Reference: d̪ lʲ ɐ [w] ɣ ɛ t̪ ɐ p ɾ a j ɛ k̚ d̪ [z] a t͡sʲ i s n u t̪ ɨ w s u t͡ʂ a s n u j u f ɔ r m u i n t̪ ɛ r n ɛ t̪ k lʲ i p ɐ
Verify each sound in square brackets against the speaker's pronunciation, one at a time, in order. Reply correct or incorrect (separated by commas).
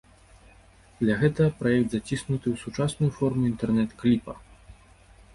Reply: incorrect, correct